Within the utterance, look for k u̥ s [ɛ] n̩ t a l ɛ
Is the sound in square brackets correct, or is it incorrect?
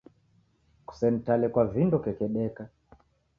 correct